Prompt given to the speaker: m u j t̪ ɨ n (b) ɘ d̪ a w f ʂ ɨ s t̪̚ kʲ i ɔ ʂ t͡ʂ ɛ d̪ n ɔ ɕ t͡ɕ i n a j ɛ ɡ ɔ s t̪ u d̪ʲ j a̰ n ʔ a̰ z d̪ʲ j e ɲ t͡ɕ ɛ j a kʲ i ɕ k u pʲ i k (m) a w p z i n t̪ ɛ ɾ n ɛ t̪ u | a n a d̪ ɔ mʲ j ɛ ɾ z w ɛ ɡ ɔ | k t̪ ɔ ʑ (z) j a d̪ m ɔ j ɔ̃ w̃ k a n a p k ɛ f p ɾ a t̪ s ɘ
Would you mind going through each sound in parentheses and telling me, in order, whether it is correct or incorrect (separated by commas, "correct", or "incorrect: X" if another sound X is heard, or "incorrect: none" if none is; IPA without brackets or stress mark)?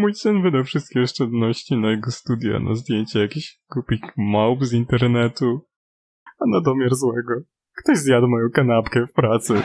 incorrect: v, correct, correct